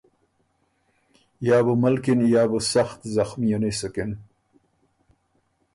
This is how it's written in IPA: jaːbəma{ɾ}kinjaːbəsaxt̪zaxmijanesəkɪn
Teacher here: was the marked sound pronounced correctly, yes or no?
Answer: no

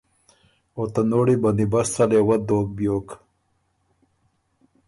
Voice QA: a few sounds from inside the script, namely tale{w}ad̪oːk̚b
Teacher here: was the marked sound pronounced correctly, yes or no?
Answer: yes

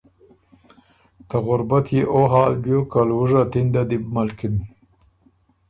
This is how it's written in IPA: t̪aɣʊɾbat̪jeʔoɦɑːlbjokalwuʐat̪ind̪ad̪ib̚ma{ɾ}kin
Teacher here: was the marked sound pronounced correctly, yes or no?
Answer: no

